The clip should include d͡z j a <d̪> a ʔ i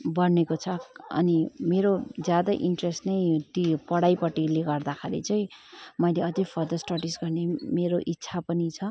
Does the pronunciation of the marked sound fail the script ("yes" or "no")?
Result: no